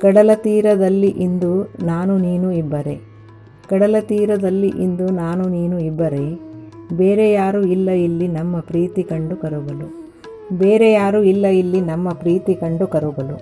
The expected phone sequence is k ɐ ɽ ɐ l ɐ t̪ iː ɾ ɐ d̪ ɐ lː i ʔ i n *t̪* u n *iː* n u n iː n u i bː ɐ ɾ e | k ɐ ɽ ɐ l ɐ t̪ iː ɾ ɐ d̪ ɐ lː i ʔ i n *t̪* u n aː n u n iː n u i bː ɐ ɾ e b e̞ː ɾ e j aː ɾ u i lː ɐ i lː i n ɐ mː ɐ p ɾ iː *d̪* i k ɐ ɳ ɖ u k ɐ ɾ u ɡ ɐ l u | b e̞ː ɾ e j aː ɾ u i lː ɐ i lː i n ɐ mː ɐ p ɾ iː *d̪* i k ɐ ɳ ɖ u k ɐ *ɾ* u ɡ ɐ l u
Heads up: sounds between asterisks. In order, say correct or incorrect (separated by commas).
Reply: incorrect, incorrect, incorrect, incorrect, incorrect, correct